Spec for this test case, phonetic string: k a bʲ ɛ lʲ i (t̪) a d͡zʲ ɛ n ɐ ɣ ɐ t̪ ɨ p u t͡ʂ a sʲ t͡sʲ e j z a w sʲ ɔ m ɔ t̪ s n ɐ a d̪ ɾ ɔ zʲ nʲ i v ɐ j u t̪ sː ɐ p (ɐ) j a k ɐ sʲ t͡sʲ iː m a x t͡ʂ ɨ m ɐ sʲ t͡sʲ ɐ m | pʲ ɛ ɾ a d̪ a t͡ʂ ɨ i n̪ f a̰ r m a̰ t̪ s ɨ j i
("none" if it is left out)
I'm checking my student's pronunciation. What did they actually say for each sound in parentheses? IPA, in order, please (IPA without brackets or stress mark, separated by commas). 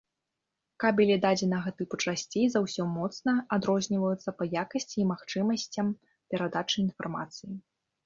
d̪, ɐ